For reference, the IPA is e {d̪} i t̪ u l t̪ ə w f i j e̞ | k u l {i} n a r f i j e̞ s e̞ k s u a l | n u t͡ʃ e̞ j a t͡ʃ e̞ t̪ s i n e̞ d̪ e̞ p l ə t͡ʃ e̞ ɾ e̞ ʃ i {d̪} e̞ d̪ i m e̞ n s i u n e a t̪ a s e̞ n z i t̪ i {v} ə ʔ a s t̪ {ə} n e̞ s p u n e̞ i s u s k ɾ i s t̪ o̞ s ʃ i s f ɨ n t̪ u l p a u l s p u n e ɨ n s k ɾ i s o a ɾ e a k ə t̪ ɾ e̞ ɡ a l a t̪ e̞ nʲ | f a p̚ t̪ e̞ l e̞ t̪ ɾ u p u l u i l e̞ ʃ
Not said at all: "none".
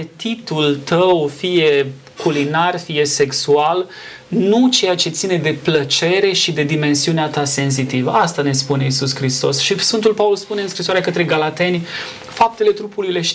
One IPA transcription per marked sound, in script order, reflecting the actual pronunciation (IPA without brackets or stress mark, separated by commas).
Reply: t̪, i, d̪, v, a